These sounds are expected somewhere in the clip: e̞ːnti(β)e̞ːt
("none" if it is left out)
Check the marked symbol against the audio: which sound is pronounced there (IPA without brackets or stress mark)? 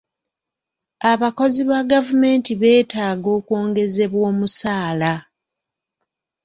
β